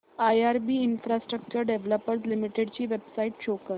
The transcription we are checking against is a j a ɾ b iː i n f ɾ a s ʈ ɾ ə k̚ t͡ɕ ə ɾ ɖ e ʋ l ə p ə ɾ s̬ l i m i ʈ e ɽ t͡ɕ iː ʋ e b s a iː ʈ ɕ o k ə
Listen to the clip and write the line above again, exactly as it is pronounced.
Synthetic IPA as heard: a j a ɾ b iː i n f ɾ a s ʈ ɾ ə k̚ t͡ɕ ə ɾ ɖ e ʋ l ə p ə ɾ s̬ l i m i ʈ e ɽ t͡ɕ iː ʋ e b s a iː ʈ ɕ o k ə